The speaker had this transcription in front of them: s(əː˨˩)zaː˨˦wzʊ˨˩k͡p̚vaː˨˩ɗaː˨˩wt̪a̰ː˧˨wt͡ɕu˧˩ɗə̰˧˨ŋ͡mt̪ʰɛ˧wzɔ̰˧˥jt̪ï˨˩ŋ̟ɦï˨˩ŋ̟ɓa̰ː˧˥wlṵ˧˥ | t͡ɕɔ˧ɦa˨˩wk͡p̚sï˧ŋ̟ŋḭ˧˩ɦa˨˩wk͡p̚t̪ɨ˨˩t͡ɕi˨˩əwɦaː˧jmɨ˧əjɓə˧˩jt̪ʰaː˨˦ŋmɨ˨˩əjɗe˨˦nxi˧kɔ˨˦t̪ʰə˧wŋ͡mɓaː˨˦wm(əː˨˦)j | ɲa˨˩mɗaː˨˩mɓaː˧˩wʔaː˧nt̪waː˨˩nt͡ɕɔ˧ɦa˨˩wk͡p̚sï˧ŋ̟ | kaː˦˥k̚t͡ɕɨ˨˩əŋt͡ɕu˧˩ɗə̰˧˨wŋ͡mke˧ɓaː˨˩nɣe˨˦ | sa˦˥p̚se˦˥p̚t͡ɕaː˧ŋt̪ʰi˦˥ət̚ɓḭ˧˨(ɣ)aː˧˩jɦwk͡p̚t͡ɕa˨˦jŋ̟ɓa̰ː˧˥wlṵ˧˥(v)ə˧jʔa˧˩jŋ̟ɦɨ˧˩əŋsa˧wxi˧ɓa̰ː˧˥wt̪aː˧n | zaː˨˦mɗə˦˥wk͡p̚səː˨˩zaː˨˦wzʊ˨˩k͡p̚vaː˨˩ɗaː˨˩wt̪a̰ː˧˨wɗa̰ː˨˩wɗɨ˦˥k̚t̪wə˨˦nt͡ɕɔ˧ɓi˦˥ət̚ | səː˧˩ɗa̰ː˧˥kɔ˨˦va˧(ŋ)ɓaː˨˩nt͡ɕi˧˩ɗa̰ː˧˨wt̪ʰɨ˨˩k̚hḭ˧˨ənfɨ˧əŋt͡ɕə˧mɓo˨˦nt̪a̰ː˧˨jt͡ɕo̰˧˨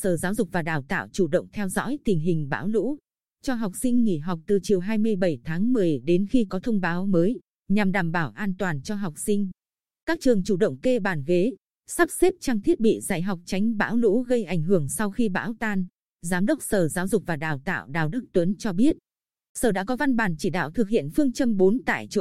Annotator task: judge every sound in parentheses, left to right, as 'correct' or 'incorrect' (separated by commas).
correct, correct, incorrect, incorrect, incorrect